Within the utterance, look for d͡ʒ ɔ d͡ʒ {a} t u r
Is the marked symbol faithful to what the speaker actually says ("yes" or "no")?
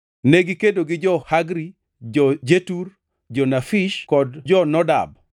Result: no